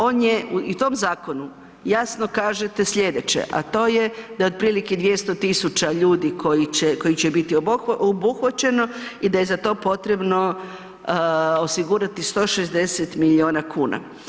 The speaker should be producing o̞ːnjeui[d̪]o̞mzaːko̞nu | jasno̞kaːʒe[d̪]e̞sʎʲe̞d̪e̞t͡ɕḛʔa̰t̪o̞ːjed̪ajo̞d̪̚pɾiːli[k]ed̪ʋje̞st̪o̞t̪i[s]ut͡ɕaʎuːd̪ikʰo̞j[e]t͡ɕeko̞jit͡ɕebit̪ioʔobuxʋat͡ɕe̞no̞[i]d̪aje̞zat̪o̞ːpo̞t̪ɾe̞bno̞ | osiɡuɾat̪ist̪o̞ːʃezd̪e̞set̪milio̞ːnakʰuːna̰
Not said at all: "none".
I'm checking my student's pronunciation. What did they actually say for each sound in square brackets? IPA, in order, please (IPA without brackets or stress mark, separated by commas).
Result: t̪, t̪, k, s, i, i